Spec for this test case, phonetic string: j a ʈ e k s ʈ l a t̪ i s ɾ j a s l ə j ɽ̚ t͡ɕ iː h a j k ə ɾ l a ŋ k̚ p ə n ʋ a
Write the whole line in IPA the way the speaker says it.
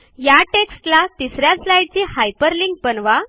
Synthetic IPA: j a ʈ e k s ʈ l a t̪ i s ɾ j a s l a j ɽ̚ t͡ɕ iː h a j p ə ɾ l i ŋ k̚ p ə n ʋ a